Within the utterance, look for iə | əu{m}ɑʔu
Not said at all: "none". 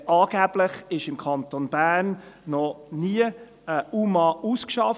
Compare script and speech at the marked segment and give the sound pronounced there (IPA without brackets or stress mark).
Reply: m